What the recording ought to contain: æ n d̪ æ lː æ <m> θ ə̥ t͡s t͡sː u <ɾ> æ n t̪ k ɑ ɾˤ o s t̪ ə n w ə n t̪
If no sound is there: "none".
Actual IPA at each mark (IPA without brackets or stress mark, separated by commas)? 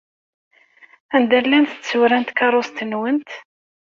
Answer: n, ɾ